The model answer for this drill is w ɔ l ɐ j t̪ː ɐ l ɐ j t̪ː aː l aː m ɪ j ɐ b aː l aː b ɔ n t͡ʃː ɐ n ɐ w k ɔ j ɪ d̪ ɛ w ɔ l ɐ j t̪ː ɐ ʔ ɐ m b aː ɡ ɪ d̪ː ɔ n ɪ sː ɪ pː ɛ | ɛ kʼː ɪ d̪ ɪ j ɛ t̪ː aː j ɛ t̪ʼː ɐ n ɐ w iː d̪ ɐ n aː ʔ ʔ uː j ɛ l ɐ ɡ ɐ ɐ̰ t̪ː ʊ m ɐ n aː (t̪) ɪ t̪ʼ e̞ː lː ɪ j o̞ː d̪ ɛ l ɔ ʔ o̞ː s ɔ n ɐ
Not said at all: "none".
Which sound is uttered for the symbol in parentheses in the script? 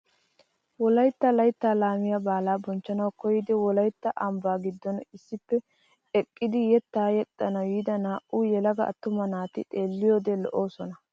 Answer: t̪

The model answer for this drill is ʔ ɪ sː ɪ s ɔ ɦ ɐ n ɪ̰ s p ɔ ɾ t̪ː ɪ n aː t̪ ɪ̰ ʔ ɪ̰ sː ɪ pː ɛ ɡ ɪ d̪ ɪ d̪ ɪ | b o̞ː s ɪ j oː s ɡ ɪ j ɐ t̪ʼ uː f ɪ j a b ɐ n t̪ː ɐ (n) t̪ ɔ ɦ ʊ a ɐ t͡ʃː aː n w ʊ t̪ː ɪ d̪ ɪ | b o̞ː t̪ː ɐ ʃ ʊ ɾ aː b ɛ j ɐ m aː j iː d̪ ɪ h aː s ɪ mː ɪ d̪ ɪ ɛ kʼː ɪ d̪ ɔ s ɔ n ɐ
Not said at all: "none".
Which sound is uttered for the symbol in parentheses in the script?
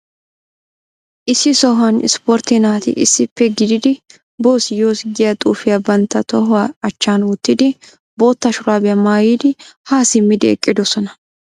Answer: none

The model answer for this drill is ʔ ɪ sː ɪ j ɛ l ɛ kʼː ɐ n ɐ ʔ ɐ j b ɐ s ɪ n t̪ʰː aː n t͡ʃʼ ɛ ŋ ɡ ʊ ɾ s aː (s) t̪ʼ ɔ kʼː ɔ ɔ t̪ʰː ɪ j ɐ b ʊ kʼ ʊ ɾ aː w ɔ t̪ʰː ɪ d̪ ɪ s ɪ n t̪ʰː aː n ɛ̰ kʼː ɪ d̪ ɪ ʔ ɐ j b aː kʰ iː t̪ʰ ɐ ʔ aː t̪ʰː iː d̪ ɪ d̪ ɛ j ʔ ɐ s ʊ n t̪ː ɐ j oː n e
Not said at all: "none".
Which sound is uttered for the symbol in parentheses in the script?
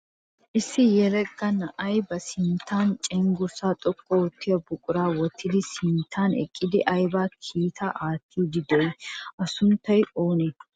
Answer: none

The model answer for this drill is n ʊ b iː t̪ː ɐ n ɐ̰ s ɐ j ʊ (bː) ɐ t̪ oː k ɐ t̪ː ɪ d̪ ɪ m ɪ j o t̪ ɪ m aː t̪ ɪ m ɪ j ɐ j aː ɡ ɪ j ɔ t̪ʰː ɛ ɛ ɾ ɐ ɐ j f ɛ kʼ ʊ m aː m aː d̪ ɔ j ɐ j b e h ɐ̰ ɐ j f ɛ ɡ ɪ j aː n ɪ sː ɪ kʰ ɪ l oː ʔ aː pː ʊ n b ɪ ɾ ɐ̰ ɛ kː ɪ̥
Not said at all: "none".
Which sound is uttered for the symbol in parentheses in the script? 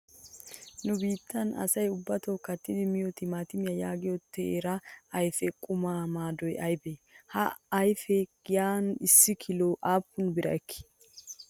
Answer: bː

